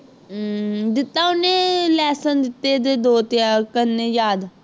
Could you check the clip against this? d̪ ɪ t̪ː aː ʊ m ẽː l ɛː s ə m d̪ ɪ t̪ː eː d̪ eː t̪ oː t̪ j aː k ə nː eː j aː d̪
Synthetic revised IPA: d̪ ɪ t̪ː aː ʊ n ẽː l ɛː s ə n d̪ ɪ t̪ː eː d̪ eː d̪ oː t̪ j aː k ə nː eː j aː d̪